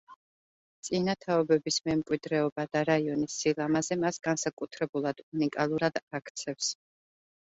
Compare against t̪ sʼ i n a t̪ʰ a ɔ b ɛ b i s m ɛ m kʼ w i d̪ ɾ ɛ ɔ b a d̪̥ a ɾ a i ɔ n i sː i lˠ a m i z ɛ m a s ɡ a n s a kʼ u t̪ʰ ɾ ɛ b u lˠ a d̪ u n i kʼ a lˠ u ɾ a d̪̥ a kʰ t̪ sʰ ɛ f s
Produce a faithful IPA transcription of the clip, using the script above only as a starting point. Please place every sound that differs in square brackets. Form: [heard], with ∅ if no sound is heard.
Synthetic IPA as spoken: t̪ sʼ i n a t̪ʰ a ɔ b ɛ b i s m ɛ m kʼ w i d̪ ɾ ɛ ɔ b a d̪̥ a ɾ a i ɔ n i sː i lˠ a m [a] z ɛ m a s ɡ a n s a kʼ u t̪ʰ ɾ ɛ b u lˠ a d̪ u n i kʼ a lˠ u ɾ a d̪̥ a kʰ t̪ sʰ ɛ f s

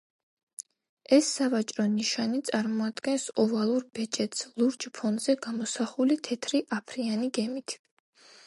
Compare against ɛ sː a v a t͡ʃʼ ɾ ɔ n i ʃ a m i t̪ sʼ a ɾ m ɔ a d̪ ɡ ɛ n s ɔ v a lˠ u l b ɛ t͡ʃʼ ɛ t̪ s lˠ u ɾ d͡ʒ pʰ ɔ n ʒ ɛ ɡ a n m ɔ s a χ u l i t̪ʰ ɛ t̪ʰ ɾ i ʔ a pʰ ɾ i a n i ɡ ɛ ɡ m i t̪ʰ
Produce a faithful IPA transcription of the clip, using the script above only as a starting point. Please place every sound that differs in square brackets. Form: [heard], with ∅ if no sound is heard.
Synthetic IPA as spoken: ɛ sː a v a t͡ʃʼ ɾ ɔ n i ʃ a [n] i t̪ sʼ a ɾ m ɔ a d̪ ɡ ɛ n s ɔ v a lˠ u [ɾ] b ɛ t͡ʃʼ ɛ t̪ s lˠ u ɾ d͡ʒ pʰ ɔ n [z] ɛ ɡ a [∅] m ɔ s a χ u l i t̪ʰ ɛ t̪ʰ ɾ i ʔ a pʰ ɾ i a n i ɡ ɛ [∅] m i t̪ʰ

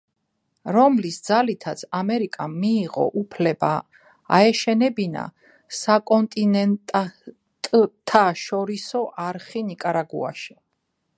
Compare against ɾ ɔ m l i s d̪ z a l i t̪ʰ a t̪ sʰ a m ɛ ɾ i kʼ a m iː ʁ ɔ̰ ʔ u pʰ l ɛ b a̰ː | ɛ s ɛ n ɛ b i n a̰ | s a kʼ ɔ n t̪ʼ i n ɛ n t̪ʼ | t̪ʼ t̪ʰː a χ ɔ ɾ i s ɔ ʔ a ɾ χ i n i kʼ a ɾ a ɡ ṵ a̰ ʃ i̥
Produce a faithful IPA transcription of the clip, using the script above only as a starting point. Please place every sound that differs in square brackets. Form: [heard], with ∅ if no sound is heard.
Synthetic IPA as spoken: ɾ ɔ m l i s d̪ z a l i t̪ʰ a t̪ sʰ a m ɛ ɾ i kʼ a m iː ʁ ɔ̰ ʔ u pʰ l ɛ b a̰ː | ɛ [ʃ] ɛ n ɛ b i n a̰ | s a kʼ ɔ n t̪ʼ i n ɛ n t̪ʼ | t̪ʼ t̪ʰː a [ʃ] ɔ ɾ i s ɔ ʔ a ɾ χ i n i kʼ a ɾ a ɡ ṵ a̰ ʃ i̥

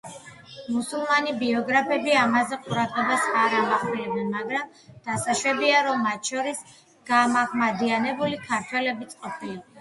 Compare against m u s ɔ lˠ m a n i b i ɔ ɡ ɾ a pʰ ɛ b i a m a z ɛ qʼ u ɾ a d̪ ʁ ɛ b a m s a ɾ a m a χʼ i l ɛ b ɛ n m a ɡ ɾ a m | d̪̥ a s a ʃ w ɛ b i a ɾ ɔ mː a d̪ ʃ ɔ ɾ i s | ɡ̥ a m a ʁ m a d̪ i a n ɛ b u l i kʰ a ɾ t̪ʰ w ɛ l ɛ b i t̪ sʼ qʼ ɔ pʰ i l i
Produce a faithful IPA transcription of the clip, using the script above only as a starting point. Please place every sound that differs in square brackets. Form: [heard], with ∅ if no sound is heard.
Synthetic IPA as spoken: m u s [u] lˠ m a n i b i ɔ ɡ ɾ a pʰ ɛ b i a m a z ɛ qʼ u ɾ a d̪ ʁ ɛ b a [∅] s a ɾ a m a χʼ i l ɛ b ɛ n m a ɡ ɾ a m | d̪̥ a s a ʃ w ɛ b i a ɾ ɔ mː a [t̪] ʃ ɔ ɾ i s | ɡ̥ a m a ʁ m a d̪ i a n ɛ b u l i kʰ a ɾ t̪ʰ w ɛ l ɛ b i t̪ sʼ qʼ ɔ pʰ i l i

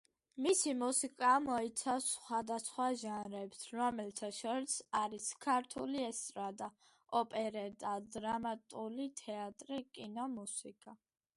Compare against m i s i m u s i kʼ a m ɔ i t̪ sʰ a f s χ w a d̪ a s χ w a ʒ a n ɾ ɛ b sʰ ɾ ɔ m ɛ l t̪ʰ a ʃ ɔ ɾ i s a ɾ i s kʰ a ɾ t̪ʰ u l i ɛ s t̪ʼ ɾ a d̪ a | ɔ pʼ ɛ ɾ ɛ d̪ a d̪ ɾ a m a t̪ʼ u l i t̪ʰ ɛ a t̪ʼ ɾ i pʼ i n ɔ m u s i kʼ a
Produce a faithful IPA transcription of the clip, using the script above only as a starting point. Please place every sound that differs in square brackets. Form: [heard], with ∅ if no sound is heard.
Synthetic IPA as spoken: m i s i m u s i kʼ a m ɔ i t̪ sʰ a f s χ w a d̪ a s χ w a ʒ a n ɾ ɛ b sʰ ɾ ɔ m ɛ l t̪ʰ a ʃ ɔ ɾ i s a ɾ i s kʰ a ɾ t̪ʰ u l i ɛ s t̪ʼ ɾ a d̪ a | ɔ pʼ ɛ ɾ ɛ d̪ a d̪ ɾ a m a t̪ʼ u l i t̪ʰ ɛ a t̪ʼ ɾ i [kʼ] i n ɔ m u s i kʼ a

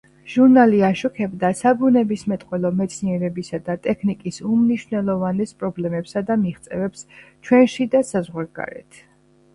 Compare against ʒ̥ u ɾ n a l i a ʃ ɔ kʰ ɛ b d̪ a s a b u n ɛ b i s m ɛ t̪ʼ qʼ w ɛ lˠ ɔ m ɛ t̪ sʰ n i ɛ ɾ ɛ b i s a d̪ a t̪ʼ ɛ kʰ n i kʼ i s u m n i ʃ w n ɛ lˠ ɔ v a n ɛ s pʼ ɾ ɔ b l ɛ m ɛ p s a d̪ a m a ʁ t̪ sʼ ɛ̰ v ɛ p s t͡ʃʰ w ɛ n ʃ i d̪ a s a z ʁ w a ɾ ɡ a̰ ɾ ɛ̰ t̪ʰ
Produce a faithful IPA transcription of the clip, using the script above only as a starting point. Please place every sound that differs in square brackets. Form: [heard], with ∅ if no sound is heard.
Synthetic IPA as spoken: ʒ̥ u ɾ n a l i a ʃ ɔ kʰ ɛ b d̪ a s a b u n ɛ b i s m ɛ t̪ʼ qʼ w ɛ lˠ ɔ m ɛ t̪ sʰ n i ɛ ɾ ɛ b i s a d̪ a t̪ʼ ɛ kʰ n i kʼ i s u m n i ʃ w n ɛ lˠ ɔ v a n ɛ s pʼ ɾ ɔ b l ɛ m ɛ p s a d̪ a m [i] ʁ t̪ sʼ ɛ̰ v ɛ p s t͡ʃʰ w ɛ n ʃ i d̪ a s a z ʁ w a ɾ ɡ a̰ ɾ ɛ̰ t̪ʰ

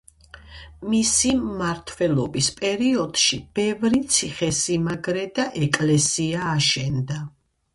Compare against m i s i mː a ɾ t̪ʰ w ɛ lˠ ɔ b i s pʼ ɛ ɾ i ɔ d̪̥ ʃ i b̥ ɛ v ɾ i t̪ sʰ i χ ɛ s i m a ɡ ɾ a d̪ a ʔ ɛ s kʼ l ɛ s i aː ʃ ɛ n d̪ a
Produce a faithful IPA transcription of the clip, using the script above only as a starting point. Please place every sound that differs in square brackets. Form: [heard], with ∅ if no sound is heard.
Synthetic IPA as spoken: m i s i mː a ɾ t̪ʰ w ɛ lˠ ɔ b i s pʼ ɛ ɾ i ɔ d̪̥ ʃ i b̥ ɛ v ɾ i t̪ sʰ i χ ɛ s i m a ɡ ɾ [ɛ] d̪ a ʔ ɛ [∅] kʼ l ɛ s i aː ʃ ɛ n d̪ a

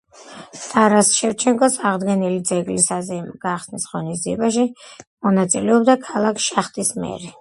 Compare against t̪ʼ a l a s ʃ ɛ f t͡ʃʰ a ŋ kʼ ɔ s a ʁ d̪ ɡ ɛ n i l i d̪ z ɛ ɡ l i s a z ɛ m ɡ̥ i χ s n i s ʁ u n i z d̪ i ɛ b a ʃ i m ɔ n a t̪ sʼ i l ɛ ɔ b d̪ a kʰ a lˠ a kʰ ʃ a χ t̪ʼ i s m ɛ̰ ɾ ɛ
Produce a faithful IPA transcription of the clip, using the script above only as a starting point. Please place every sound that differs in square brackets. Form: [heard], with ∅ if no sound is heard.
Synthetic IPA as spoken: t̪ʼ a [ɾ] a s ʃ ɛ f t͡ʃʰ [ɛ] ŋ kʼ ɔ s a ʁ d̪ ɡ ɛ n i l i d̪ z ɛ ɡ l i s a z ɛ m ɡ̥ [a] χ s n i s ʁ [ɔ] n i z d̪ i ɛ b a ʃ i m ɔ n a t̪ sʼ i l ɛ ɔ b d̪ a kʰ a lˠ a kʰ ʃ a χ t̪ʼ i s m ɛ̰ ɾ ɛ

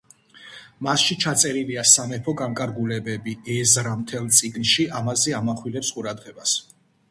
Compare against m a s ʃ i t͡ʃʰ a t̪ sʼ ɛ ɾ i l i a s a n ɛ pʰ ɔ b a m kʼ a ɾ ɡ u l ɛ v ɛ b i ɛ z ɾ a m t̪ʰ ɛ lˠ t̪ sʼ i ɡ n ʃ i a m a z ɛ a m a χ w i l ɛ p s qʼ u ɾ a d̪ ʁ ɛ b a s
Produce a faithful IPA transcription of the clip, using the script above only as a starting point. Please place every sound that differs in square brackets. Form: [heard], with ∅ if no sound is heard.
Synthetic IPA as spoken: m a s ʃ i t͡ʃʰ a t̪ sʼ ɛ ɾ i l i a s a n ɛ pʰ ɔ [ɡ] a [ŋ] kʼ a ɾ ɡ u l ɛ [b] ɛ b i ɛ z ɾ a m t̪ʰ ɛ lˠ t̪ sʼ i ɡ n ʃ i a m a z ɛ a m a χ w i l ɛ p s qʼ u ɾ a d̪ ʁ ɛ b a s

